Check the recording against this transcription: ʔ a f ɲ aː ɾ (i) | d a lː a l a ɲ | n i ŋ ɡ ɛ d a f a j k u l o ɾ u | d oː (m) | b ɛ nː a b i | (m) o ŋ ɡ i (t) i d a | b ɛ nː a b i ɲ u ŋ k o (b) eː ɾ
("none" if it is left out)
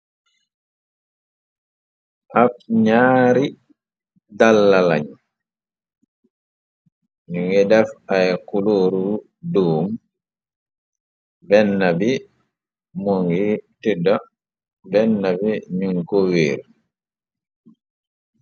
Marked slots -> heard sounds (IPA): i, m, m, t, w

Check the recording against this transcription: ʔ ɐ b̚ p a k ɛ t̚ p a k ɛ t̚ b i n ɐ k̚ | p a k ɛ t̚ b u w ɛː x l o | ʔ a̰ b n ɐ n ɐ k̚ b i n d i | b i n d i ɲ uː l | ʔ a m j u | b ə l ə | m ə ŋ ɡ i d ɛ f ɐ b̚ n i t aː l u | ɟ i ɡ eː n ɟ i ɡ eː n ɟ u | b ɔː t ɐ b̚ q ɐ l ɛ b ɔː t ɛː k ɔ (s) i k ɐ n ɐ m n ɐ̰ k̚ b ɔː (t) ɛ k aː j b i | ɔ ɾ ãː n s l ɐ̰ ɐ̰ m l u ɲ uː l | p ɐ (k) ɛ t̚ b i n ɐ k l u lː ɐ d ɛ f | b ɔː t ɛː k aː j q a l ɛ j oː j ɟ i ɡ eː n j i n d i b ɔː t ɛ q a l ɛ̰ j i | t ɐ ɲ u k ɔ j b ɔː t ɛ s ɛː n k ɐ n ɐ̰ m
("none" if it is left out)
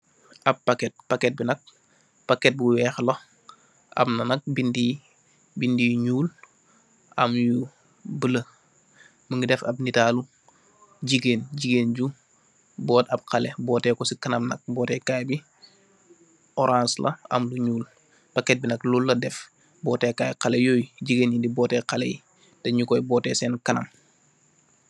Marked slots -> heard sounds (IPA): s, t, k

